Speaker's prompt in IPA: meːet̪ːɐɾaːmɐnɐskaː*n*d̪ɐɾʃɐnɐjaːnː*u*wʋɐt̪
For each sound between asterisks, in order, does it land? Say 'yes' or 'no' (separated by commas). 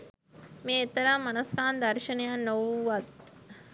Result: yes, no